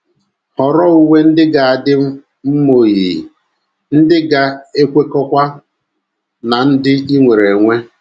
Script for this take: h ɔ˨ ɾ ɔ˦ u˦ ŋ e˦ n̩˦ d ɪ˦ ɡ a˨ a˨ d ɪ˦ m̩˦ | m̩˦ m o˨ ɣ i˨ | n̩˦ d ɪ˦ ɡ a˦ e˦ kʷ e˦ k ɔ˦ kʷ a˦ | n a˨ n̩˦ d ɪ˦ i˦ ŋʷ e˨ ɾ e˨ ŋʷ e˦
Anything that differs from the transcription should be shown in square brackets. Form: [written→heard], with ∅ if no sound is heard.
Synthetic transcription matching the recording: h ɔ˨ ɾ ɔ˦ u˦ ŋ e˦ n̩˦ d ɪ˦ ɡ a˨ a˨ d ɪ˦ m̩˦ | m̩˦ m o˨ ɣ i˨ | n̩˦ d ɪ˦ ɡ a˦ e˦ kʷ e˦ k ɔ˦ kʷ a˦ | n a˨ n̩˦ d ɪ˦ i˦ ŋʷ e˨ ɾ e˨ ŋʷ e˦